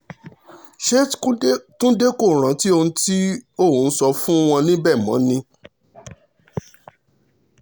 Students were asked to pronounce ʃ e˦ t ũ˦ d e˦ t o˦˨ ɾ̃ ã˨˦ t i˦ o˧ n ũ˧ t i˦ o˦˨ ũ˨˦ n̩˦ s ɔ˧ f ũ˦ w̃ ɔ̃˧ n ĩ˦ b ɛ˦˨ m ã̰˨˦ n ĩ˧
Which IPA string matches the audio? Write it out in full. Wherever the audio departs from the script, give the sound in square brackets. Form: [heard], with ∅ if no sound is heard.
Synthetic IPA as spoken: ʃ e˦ t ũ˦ d e˦ [k] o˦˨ ɾ̃ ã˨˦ t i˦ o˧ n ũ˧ t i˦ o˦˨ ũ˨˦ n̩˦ s ɔ˧ f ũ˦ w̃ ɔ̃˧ n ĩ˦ b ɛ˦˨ m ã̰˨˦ n ĩ˧